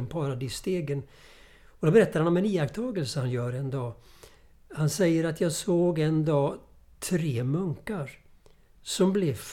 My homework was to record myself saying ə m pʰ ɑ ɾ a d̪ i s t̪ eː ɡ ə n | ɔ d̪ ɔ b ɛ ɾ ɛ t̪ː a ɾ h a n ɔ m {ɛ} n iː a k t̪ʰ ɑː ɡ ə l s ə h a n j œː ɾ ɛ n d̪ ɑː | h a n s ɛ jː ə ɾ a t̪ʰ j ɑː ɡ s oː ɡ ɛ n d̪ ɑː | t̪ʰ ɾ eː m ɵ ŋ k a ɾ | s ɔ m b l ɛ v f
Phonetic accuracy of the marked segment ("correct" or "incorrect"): correct